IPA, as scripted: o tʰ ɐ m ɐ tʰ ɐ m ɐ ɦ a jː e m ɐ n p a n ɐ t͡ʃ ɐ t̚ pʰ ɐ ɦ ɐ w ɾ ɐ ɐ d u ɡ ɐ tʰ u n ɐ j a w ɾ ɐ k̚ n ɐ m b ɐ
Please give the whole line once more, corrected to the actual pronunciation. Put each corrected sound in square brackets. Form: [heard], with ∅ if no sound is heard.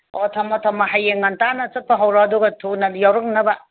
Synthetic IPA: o tʰ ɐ m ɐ tʰ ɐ m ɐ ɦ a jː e [ŋ] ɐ n [t] a n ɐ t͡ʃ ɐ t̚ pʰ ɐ ɦ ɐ w ɾ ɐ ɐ d u ɡ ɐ tʰ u n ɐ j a w ɾ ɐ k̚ n ɐ [∅] b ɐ